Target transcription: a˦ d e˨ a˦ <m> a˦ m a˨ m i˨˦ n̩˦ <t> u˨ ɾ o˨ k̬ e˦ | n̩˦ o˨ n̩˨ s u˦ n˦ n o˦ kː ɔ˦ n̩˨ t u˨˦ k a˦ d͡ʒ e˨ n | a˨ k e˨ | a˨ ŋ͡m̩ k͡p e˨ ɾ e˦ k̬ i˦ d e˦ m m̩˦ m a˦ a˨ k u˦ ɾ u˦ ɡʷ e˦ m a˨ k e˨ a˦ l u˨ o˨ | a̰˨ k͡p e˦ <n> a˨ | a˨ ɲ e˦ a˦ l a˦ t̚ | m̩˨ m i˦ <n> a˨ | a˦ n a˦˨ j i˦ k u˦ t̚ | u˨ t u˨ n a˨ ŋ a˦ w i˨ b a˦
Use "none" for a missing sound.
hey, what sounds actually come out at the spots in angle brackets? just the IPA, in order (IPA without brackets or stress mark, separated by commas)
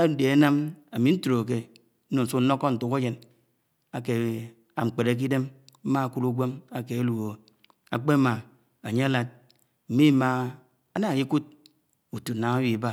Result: n, t, m, m